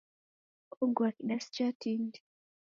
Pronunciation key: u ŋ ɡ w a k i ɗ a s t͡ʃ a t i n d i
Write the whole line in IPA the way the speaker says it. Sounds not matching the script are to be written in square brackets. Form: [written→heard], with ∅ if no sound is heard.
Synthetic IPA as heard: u ŋ ɡ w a k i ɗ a s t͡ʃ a t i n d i